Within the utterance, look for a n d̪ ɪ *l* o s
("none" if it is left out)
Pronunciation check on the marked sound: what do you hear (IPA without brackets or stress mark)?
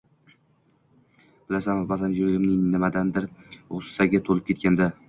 ɾ